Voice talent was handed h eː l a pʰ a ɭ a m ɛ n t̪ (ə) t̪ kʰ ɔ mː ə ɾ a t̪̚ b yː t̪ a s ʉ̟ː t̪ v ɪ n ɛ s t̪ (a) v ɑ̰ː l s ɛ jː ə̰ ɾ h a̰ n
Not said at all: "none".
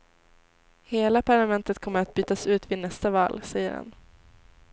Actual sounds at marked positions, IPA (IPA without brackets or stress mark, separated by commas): ə, a